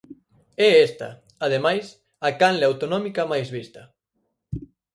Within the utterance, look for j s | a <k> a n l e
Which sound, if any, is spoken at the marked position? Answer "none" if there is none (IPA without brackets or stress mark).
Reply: k